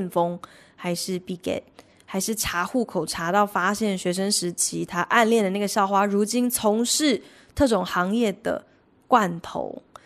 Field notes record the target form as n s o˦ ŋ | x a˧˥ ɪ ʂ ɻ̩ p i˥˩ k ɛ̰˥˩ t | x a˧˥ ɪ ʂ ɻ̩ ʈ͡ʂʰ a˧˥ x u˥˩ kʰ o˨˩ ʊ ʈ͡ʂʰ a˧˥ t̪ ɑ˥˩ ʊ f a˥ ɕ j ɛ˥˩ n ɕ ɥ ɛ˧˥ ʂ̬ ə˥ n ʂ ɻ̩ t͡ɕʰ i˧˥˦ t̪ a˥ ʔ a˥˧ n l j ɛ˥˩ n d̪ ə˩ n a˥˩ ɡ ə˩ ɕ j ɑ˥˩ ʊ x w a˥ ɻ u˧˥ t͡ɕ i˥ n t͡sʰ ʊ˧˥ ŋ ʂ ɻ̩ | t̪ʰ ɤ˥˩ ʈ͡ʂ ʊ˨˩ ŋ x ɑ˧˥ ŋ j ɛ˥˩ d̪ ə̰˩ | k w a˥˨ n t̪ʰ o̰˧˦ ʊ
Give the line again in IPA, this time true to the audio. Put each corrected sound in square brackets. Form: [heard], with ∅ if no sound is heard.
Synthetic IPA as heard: n [f] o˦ ŋ | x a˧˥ ɪ ʂ ɻ̩ p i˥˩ k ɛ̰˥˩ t | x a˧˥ ɪ ʂ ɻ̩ ʈ͡ʂʰ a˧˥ x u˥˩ kʰ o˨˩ ʊ ʈ͡ʂʰ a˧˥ t̪ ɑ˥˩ ʊ f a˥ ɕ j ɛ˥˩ n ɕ ɥ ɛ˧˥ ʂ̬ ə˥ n ʂ ɻ̩ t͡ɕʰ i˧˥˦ [t̪ʰ] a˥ ʔ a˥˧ n l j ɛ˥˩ n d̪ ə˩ n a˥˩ ɡ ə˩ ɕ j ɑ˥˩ ʊ x w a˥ ɻ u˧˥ t͡ɕ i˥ n t͡sʰ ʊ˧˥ ŋ ʂ ɻ̩ | t̪ʰ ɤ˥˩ ʈ͡ʂ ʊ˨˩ ŋ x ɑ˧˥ ŋ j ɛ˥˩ d̪ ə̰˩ | k w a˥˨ n t̪ʰ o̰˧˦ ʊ